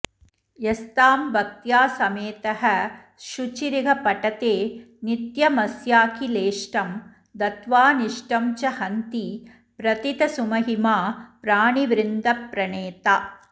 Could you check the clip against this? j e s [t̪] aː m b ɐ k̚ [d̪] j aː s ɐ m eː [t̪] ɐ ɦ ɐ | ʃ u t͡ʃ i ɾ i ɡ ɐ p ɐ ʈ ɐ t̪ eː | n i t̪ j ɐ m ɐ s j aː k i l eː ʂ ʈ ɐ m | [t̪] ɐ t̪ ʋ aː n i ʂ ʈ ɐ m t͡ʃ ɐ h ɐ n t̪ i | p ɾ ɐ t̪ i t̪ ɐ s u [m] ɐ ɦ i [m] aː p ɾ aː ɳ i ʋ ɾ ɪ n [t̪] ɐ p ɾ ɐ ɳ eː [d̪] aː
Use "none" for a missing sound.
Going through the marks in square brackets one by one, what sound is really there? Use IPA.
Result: t̪, t̪, t̪, d̪, m, m, d̪, t̪

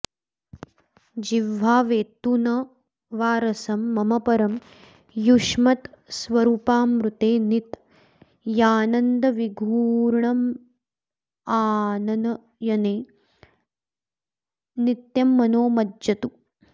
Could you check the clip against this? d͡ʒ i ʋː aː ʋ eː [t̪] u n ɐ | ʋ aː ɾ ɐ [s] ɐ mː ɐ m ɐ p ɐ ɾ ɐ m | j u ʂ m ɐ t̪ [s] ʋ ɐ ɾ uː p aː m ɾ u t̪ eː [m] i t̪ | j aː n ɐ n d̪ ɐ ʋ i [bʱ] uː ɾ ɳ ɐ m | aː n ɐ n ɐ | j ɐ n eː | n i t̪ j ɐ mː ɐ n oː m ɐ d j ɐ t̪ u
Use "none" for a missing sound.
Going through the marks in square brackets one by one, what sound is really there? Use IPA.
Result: t̪, s, s, n, ɡʱ

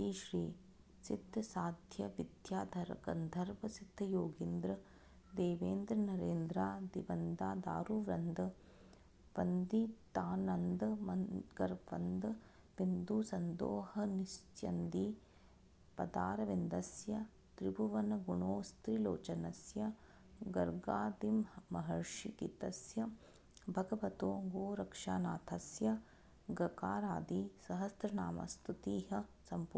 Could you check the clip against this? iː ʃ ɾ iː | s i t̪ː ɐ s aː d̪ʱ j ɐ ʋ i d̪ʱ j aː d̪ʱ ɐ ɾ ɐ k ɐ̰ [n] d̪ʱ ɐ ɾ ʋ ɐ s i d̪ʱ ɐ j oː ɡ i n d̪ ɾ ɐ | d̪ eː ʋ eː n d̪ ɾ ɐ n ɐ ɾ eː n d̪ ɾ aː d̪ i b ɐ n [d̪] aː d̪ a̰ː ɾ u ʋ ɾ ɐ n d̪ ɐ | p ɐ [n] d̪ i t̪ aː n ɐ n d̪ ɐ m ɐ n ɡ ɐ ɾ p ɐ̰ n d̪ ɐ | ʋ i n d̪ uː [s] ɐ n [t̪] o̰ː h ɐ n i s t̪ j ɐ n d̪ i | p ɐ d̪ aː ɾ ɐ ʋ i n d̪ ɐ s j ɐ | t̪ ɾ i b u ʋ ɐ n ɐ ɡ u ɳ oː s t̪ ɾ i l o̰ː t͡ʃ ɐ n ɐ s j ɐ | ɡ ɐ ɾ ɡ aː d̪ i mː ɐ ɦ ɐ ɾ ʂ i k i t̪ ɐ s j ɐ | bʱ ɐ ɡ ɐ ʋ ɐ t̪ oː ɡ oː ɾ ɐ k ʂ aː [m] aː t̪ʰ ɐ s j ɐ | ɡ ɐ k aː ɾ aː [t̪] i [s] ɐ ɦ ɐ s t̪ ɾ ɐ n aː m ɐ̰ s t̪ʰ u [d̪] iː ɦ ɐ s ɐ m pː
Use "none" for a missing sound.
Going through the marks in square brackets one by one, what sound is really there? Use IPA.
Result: n, d̪, n, s, d̪, n, d̪, s, t̪

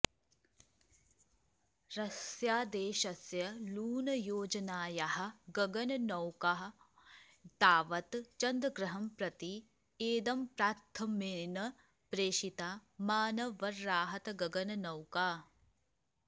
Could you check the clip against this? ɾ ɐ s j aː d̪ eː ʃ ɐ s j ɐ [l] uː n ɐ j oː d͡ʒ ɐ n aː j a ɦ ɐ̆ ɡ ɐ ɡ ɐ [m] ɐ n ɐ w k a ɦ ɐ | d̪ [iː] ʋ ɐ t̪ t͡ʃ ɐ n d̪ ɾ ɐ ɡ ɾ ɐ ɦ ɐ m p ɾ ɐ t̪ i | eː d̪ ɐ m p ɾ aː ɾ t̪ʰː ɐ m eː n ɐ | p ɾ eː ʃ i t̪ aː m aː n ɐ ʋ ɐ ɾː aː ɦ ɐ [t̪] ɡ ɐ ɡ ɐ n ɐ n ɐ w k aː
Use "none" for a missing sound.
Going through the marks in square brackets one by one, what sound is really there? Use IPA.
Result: l, n, aː, t̪

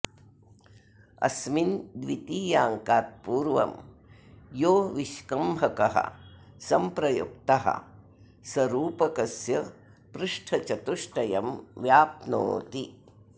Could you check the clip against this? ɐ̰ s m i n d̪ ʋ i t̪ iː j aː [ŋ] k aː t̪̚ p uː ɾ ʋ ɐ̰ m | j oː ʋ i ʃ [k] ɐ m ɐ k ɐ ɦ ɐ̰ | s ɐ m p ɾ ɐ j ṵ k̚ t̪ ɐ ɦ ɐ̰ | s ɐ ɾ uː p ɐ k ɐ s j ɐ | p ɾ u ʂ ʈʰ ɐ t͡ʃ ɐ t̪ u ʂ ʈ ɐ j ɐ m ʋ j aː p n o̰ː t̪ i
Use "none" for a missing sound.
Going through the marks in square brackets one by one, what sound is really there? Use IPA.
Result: ŋ, k

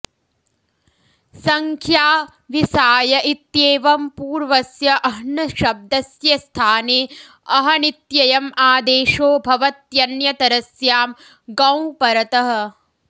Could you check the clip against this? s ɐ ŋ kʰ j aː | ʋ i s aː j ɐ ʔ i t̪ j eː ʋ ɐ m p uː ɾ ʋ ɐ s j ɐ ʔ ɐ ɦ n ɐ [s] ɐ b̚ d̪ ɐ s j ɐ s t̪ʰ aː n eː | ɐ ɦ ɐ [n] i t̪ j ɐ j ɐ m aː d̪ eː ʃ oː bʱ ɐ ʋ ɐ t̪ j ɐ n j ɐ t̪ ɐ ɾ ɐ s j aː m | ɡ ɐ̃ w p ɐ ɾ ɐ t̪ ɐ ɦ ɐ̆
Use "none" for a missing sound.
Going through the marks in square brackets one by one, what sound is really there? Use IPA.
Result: ʃ, n

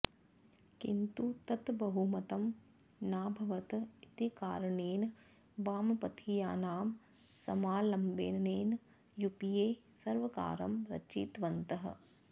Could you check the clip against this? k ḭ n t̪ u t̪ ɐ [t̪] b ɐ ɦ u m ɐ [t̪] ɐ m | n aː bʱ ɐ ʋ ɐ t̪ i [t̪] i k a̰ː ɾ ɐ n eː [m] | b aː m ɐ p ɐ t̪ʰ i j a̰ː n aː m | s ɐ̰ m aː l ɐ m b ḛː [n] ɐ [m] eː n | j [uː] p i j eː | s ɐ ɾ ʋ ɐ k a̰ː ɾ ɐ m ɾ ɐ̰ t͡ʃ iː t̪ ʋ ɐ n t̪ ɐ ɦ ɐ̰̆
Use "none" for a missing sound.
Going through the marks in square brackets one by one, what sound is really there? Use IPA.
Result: t̪, t̪, t̪, n, n, n, u

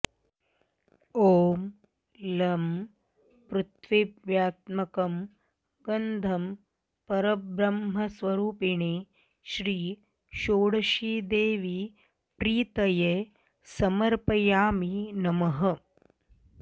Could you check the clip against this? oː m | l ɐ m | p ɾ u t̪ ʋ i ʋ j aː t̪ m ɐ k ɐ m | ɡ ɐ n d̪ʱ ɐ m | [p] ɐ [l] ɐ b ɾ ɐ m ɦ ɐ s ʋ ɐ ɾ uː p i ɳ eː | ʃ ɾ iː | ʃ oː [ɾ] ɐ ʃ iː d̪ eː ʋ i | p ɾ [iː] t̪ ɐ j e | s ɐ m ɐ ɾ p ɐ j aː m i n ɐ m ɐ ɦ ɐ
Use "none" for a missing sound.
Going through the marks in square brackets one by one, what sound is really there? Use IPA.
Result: p, ɾ, ɽ, iː

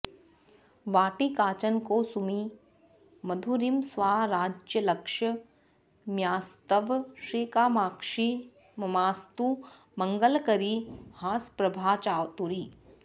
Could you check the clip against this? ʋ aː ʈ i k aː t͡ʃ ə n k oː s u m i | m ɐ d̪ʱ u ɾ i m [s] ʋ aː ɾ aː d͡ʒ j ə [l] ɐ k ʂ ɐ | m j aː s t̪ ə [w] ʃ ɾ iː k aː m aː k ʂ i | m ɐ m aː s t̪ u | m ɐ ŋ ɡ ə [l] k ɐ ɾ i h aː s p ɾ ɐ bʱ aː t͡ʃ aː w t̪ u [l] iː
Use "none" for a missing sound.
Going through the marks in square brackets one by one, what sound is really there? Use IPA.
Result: s, l, ʋ, l, ɾ

